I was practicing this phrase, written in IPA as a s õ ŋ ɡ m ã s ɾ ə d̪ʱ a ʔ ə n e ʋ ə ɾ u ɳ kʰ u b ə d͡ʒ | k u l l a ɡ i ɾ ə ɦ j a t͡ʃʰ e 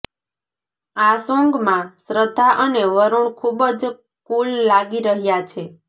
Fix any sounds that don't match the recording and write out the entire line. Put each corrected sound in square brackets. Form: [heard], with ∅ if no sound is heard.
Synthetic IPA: a s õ ŋ ɡ m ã s ɾ ə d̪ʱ a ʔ ə n e ʋ ə ɾ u ɳ kʰ u b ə d͡ʒ | k u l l a ɡ i ɾ ə ɦ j a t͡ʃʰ e